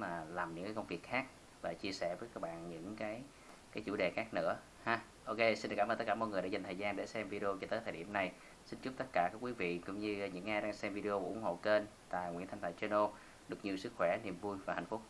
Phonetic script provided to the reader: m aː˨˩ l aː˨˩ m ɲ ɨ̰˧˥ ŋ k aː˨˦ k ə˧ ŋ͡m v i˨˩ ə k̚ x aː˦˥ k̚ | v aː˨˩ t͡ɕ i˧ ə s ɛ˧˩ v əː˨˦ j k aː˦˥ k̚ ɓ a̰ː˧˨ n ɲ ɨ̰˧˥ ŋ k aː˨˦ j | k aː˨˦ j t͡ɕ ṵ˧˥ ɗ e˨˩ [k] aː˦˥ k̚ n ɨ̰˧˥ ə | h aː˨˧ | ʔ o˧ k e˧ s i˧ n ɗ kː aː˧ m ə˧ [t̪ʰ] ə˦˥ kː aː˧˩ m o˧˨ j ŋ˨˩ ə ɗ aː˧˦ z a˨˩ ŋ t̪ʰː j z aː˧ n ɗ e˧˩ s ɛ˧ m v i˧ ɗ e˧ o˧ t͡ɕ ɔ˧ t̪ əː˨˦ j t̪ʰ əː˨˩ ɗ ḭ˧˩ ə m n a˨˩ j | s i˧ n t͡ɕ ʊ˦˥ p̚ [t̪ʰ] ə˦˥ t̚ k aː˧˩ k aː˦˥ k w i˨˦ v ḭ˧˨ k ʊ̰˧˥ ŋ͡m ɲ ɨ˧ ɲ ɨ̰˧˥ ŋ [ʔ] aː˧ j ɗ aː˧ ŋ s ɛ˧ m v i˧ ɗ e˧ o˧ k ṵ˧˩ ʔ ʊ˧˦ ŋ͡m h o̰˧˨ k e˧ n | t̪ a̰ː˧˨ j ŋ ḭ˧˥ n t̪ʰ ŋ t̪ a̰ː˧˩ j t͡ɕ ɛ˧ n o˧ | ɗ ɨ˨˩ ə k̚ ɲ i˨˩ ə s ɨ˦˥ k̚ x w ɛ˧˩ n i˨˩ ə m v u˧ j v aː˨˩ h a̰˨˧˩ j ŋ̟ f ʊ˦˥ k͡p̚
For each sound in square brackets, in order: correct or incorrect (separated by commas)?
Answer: incorrect, incorrect, incorrect, correct